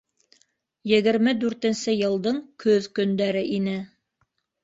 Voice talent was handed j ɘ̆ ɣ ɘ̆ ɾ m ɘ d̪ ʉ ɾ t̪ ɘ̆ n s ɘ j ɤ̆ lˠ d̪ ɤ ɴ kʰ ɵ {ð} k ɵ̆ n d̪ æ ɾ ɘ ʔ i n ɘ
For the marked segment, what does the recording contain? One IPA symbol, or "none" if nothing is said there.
ð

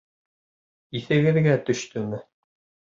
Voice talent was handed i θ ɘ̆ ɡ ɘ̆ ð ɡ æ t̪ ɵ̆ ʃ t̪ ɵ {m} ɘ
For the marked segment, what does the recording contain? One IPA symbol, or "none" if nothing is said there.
m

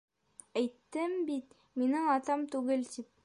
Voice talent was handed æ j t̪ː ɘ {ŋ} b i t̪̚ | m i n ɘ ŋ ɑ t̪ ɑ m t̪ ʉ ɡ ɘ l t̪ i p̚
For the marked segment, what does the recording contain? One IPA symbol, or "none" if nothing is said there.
m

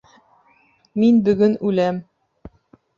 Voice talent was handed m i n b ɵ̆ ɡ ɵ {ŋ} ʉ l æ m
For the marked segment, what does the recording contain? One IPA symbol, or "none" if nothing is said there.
n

